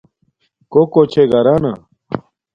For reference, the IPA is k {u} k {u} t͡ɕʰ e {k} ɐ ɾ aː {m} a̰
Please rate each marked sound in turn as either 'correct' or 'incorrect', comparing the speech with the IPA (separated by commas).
incorrect, incorrect, incorrect, incorrect